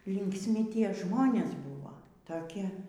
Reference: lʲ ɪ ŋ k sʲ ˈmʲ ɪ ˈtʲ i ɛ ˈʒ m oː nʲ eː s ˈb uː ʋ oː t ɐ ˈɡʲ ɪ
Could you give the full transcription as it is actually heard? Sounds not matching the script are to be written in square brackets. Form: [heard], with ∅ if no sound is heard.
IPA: lʲ ɪ ŋ k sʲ ˈmʲ ɪ ˈtʲ i ɛ ˈʒ m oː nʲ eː s ˈb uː ʋ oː t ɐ [ˈkʲ] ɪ